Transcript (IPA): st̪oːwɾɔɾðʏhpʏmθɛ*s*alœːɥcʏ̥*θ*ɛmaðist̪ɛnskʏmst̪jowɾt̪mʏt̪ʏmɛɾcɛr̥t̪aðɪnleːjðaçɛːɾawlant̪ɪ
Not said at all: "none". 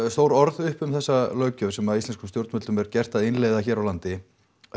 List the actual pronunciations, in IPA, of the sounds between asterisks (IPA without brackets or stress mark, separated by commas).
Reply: sː, s